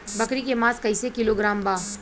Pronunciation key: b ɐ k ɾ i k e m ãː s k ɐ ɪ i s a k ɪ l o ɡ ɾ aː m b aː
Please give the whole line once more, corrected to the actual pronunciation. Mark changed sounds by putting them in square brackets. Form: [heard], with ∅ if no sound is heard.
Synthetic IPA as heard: b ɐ k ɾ i k e m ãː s k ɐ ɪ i s [e] k ɪ l o ɡ ɾ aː m b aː